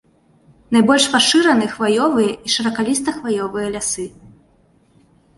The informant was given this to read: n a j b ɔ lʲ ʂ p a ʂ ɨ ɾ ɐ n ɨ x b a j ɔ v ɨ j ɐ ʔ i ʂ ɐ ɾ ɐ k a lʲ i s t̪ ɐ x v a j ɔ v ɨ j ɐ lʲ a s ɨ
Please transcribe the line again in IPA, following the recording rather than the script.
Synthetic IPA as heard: n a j b ɔ lʲ ʂ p a ʂ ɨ ɾ ɐ n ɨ x v a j ɔ v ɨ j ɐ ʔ i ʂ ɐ ɾ ɐ k a lʲ i s t̪ ɐ x v a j ɔ v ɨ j ɐ lʲ a s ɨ